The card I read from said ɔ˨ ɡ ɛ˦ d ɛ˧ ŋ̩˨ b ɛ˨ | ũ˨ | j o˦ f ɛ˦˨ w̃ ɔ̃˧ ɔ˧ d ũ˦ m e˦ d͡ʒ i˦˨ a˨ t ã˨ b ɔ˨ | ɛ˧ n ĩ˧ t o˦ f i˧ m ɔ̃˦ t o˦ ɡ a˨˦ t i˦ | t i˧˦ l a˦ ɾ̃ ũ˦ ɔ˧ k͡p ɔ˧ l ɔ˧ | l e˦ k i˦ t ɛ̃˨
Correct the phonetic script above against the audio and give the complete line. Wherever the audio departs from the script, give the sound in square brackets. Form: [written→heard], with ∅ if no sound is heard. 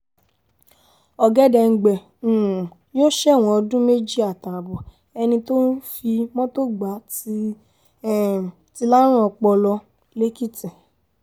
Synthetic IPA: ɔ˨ ɡ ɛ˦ d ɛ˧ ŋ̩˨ [b→ɡ͡b] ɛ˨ | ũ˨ | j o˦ [f→ʃ] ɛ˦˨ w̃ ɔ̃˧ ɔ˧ d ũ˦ m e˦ d͡ʒ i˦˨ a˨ t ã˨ b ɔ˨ | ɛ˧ n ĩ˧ t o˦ f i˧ m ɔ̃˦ t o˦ [ɡ→ɡ͡b] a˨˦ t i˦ | t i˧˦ l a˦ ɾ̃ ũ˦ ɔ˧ k͡p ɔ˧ l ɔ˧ | l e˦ k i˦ t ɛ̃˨